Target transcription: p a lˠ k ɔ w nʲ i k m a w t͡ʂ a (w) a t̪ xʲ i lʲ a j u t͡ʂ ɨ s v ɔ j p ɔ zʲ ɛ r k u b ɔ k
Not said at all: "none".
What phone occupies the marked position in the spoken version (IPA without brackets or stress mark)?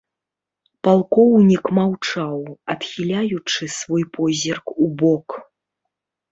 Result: w